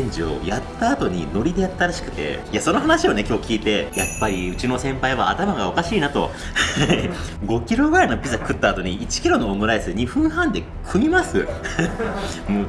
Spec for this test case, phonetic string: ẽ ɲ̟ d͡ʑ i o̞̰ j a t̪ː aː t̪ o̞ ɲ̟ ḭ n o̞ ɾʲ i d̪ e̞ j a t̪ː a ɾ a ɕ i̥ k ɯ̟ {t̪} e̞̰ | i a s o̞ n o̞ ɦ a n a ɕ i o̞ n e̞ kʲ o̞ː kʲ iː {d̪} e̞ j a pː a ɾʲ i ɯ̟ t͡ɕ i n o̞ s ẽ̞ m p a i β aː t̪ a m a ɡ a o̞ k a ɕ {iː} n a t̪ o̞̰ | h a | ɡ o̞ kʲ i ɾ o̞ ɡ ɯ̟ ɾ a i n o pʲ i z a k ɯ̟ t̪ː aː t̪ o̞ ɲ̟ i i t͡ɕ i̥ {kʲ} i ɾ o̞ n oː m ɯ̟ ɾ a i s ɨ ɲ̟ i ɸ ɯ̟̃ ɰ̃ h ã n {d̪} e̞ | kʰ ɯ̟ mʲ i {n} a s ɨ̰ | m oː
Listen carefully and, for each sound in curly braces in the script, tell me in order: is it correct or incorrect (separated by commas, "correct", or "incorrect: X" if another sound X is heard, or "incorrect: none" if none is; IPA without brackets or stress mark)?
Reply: correct, incorrect: t̪, correct, correct, correct, incorrect: m